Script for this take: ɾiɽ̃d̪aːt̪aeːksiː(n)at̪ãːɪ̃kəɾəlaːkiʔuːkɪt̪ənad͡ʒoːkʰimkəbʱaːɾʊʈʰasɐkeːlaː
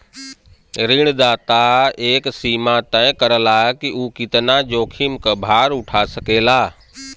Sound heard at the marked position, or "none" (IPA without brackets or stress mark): m